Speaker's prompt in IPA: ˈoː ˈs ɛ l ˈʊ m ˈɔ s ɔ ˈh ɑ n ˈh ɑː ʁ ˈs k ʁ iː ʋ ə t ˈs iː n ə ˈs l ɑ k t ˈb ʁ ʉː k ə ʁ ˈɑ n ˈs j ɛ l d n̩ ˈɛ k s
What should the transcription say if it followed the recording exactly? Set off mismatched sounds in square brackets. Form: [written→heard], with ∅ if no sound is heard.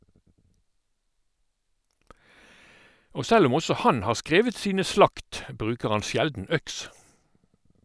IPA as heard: ˈoː ˈs ɛ l ˈʊ m ˈɔ s ɔ ˈh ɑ n ˈh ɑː ʁ ˈs k ʁ [iː→eː] ʋ ə t ˈs iː n ə ˈs l ɑ k t ˈb ʁ ʉː k ə ʁ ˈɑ n ˈs j ɛ l d n̩ [ˈɛ→ˈœ] k s